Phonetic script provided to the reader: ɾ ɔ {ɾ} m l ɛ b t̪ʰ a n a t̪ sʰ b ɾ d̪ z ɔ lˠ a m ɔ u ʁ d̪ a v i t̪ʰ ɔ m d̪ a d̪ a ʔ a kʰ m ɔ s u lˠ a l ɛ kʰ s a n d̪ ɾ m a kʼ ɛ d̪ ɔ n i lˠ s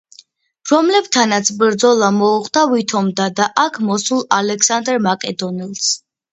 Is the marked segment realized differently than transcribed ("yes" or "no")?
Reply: yes